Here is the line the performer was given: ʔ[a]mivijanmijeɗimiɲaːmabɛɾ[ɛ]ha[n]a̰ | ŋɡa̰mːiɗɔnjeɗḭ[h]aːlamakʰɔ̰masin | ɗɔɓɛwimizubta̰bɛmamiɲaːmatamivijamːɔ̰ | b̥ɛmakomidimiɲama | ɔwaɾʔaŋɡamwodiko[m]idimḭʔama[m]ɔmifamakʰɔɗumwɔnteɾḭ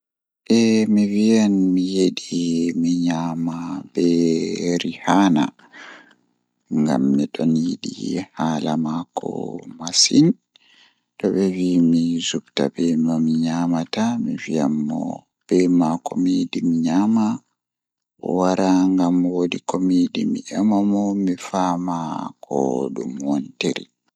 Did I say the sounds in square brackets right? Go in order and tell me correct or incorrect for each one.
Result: incorrect, incorrect, correct, correct, correct, correct

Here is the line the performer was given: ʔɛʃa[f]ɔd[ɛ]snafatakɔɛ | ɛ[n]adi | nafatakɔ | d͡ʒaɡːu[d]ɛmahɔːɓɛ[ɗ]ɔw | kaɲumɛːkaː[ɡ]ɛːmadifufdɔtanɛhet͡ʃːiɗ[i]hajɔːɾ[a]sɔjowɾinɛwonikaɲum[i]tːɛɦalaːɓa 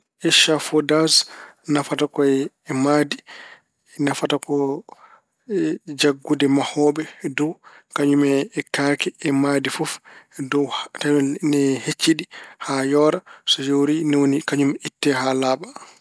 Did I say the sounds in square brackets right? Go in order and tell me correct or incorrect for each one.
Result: correct, incorrect, incorrect, correct, incorrect, incorrect, correct, correct, correct

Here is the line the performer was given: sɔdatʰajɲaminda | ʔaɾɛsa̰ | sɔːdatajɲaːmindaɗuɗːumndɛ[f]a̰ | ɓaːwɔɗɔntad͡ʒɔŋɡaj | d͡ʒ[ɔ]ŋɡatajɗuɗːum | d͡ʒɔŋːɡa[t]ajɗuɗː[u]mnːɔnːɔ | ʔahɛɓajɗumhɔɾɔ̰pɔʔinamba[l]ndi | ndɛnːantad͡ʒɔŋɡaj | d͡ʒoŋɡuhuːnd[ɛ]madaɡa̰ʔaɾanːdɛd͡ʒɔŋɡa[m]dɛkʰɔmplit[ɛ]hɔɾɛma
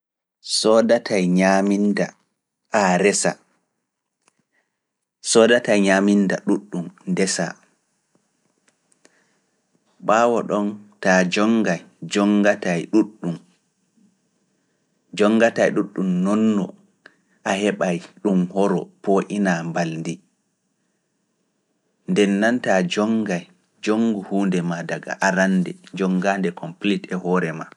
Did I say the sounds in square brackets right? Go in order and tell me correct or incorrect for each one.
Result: incorrect, correct, correct, correct, correct, correct, incorrect, correct

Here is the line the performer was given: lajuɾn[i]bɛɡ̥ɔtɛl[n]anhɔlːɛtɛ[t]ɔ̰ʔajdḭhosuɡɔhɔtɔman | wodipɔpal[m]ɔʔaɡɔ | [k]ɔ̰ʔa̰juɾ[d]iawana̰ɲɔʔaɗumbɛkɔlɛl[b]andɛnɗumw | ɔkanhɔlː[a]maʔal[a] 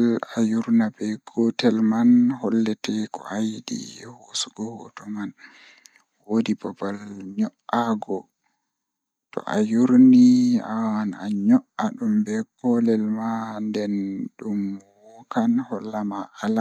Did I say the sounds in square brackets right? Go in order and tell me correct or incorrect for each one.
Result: incorrect, incorrect, incorrect, incorrect, incorrect, incorrect, incorrect, correct, correct

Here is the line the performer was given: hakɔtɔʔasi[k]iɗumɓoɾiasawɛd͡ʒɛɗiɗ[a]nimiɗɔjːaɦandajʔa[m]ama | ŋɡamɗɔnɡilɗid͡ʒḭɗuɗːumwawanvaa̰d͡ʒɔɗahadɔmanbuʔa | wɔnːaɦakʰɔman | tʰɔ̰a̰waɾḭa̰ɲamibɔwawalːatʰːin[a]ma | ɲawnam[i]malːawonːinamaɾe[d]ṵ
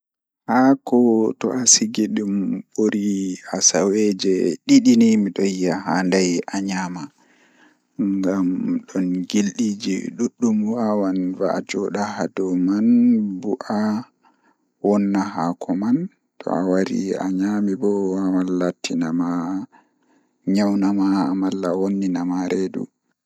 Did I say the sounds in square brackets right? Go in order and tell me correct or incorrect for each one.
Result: incorrect, incorrect, incorrect, correct, incorrect, correct

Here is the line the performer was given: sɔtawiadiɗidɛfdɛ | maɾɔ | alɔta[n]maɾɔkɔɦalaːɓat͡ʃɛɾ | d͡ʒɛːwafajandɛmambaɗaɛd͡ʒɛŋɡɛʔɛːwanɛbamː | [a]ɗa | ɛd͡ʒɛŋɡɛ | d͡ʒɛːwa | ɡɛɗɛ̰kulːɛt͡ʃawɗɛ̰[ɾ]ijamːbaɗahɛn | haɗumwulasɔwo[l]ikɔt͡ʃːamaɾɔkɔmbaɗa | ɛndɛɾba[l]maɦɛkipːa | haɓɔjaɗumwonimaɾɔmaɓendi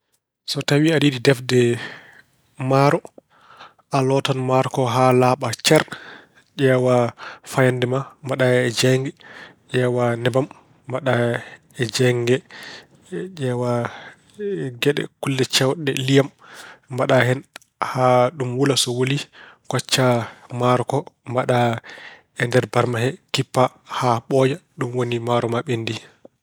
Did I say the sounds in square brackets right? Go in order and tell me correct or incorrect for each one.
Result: correct, correct, incorrect, correct, incorrect

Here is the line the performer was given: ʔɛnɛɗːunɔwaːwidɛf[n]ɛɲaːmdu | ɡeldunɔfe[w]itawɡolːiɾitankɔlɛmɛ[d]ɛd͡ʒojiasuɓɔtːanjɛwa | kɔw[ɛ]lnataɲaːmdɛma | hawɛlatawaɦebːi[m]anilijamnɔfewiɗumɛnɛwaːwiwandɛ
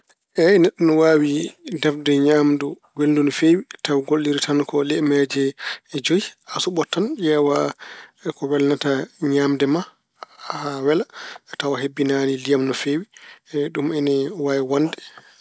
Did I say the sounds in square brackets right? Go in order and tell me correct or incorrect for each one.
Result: incorrect, correct, incorrect, correct, incorrect

